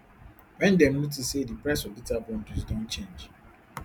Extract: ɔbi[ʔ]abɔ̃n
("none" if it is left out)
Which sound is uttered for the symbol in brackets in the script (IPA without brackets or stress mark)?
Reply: t